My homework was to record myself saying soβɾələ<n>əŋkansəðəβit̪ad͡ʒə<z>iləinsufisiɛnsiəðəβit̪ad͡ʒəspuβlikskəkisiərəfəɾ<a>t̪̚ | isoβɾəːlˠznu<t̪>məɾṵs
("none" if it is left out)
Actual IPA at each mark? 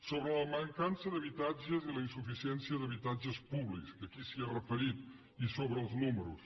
m, z, i, none

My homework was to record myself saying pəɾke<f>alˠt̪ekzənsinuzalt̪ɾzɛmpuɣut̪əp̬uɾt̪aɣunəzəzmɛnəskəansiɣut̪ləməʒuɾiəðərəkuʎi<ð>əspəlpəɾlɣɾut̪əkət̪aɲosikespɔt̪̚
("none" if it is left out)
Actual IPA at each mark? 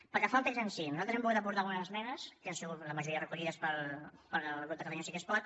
f, ð

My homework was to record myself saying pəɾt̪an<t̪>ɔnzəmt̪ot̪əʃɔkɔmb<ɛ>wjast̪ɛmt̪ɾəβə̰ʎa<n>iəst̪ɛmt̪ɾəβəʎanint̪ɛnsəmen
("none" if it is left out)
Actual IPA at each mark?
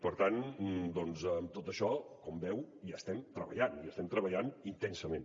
d̪, ɛ, n

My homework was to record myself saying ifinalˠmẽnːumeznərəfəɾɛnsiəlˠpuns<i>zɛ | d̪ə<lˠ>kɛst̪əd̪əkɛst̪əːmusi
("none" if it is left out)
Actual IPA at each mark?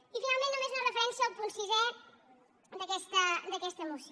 i, none

